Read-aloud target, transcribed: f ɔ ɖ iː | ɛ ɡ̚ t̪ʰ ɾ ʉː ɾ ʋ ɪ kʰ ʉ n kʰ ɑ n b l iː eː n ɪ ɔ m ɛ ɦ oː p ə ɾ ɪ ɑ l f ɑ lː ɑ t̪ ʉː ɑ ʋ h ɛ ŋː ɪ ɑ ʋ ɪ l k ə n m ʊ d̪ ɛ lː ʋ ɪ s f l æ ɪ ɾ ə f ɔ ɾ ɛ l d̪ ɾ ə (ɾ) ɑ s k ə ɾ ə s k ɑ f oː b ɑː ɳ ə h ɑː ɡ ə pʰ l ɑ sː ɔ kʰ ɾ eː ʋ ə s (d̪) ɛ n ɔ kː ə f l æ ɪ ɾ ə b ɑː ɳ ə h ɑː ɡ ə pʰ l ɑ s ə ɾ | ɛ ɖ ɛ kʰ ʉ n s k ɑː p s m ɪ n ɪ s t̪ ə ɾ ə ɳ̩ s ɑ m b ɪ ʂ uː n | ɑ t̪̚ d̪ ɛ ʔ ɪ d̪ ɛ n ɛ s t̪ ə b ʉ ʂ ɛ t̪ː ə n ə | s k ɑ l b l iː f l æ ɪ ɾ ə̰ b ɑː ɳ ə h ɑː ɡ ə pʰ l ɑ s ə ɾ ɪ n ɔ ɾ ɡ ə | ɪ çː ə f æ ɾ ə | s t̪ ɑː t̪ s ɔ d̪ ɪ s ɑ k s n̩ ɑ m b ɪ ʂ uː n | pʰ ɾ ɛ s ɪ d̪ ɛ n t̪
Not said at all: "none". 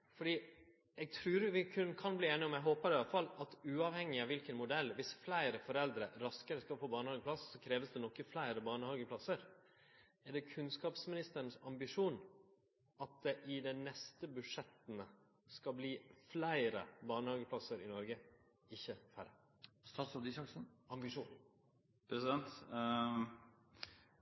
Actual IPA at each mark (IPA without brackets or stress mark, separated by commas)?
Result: ɾ, d̪